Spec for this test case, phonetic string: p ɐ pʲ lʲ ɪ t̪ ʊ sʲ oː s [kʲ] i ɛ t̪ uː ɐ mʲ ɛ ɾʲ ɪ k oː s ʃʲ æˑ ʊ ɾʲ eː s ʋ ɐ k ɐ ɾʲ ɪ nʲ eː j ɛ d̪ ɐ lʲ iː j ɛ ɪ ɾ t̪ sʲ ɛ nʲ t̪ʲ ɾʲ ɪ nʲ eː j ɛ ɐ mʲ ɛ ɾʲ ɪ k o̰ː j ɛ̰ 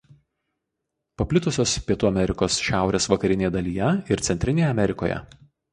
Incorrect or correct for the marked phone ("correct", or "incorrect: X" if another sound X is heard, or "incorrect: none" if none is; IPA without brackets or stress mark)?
incorrect: pʲ